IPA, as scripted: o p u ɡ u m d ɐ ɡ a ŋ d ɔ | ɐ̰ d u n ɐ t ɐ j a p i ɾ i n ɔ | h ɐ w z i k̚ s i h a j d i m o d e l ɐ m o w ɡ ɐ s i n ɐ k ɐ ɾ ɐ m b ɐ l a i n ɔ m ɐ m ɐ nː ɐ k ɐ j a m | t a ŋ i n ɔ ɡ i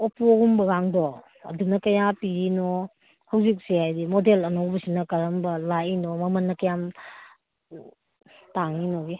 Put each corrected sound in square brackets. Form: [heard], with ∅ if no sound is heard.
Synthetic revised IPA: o p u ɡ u m [b] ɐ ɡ a ŋ d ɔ | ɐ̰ d u n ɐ [k] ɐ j a p i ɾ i n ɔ | h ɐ w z i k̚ s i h a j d i m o d e l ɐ [n] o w [b] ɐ s i n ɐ k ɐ ɾ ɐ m b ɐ l a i n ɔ m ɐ m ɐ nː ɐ k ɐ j a m | t a ŋ i n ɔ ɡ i

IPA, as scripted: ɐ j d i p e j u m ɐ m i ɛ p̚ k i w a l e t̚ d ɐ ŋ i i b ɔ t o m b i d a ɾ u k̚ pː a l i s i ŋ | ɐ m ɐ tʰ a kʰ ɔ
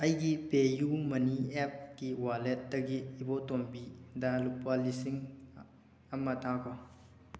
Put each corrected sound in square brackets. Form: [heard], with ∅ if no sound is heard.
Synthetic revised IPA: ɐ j [ɡ] i p e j u m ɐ [n] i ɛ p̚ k i w a l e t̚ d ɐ [ɡ] i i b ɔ t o m b i d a [l] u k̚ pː a l i s i ŋ | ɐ m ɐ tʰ a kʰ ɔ

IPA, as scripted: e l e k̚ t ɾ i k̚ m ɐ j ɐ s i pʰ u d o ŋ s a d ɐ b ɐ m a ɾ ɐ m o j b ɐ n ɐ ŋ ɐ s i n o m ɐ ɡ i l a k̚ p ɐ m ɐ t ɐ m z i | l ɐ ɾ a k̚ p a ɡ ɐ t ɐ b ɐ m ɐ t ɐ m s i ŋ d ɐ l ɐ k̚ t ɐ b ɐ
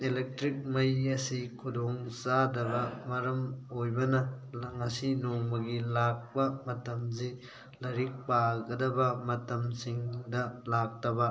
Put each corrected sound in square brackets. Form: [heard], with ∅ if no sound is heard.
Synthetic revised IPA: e l e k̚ t ɾ i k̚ m ɐ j ɐ s i [kʰ] u d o ŋ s a d ɐ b ɐ m [ɐ] ɾ ɐ m o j b ɐ n ɐ ŋ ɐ s i n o m ɐ ɡ i l a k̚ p ɐ m ɐ t ɐ m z i | l ɐ ɾ [i] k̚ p a ɡ ɐ [d] ɐ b ɐ m ɐ t ɐ m s i ŋ d ɐ l [a] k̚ t ɐ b ɐ

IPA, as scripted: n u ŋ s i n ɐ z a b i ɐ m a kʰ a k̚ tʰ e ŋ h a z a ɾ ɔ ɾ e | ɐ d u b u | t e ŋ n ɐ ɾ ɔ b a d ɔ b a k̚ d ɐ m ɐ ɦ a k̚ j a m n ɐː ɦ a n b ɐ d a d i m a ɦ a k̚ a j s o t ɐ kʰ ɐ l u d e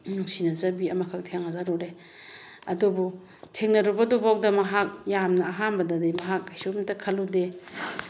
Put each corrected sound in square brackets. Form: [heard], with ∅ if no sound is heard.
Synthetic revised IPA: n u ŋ s i n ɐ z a b i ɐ m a kʰ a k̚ tʰ e ŋ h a z a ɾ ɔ ɾ e | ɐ d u b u | [tʰ] e ŋ n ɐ ɾ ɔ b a d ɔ b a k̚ d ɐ m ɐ ɦ a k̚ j a m n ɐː ɦ a n b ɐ d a d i m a ɦ a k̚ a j s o t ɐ kʰ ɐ l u d e

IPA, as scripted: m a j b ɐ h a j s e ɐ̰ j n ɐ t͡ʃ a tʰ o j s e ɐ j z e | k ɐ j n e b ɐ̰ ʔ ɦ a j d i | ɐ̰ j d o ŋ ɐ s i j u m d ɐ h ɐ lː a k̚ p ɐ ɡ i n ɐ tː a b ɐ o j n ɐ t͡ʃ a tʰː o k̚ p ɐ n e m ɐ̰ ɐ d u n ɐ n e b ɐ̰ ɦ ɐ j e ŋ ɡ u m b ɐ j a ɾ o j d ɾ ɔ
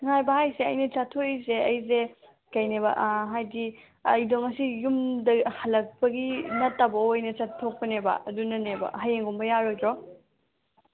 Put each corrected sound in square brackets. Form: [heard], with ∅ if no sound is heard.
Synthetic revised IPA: [ŋ] a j b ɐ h a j s e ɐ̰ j n ɐ t͡ʃ a tʰ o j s e ɐ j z e | k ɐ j n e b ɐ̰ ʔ ɦ a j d i | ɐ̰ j d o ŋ ɐ s i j u m d ɐ h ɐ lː [ɐ] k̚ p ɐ ɡ i n ɐ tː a b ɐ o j n ɐ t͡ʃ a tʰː o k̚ p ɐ n e [b] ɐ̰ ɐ d u n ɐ n e b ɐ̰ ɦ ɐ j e ŋ ɡ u m b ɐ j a ɾ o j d ɾ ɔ

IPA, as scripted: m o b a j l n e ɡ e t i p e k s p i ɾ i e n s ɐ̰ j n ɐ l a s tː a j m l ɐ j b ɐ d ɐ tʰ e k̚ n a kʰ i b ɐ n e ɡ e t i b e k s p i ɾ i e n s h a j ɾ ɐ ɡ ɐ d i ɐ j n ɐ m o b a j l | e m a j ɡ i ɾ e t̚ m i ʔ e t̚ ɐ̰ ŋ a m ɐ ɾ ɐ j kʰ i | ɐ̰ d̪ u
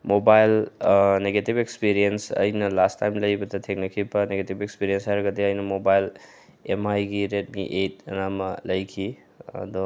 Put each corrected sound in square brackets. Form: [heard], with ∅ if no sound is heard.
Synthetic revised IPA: m o b a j l n e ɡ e t i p e k s p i ɾ i e n s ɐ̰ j n ɐ l a s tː a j m l ɐ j b ɐ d ɐ tʰ e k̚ n [ɐ] kʰ i b ɐ n e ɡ e t i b e k s p i ɾ i e n s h a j ɾ ɐ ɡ ɐ d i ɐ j n ɐ m o b a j l | e m a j ɡ i ɾ e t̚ m i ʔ e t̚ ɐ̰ [n] a m ɐ [l] ɐ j kʰ i | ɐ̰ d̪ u

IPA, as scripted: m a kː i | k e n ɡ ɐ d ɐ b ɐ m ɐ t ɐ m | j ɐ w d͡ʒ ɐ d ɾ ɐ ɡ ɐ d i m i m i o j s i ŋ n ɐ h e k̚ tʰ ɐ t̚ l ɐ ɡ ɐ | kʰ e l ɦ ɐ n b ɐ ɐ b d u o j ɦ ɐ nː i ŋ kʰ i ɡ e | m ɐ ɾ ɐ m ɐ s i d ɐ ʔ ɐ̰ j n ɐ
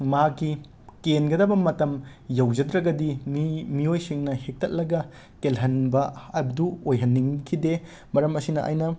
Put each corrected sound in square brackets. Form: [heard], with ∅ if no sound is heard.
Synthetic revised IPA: m a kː i | k e n ɡ ɐ d ɐ b ɐ m ɐ t ɐ m | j ɐ w d͡ʒ ɐ d ɾ ɐ ɡ ɐ d i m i m i o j s i ŋ n ɐ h e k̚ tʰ ɐ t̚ l ɐ ɡ ɐ | [k] e l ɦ ɐ n b ɐ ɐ b d u o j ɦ ɐ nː i ŋ kʰ i [d] e | m ɐ ɾ ɐ m ɐ s i [n] ɐ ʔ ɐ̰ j n ɐ

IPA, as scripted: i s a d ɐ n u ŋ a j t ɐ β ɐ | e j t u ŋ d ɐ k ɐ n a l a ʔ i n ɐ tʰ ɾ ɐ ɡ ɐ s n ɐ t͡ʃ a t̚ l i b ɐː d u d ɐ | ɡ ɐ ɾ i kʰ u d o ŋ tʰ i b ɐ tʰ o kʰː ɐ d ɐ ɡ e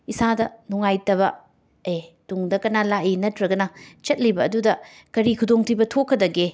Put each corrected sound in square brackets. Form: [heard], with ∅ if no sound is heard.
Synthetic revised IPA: i s a d ɐ n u ŋ a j t ɐ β ɐ | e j t u ŋ d ɐ k ɐ n a l a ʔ i n ɐ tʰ ɾ ɐ ɡ ɐ [∅] n ɐ t͡ʃ [ɐ] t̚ l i b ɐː d u d ɐ | [k] ɐ ɾ i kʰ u d o ŋ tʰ i b ɐ tʰ o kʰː ɐ d ɐ ɡ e

